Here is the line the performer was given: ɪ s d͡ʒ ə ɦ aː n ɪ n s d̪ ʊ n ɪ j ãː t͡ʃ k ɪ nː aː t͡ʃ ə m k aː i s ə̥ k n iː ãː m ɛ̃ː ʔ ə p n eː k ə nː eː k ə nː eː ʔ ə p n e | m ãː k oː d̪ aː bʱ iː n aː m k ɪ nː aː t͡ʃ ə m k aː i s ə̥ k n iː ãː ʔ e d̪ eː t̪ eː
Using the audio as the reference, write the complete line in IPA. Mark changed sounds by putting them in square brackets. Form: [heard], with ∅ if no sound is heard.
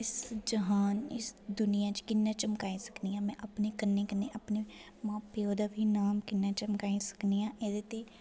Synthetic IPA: ɪ s d͡ʒ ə ɦ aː n ɪ [∅] s d̪ ʊ n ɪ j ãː t͡ʃ k ɪ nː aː t͡ʃ ə m k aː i s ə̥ k n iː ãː m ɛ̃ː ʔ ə p n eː k ə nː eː k ə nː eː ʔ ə p n e | m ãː [p] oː d̪ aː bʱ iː n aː m k ɪ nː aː t͡ʃ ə m k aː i s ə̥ k n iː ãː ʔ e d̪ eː t̪ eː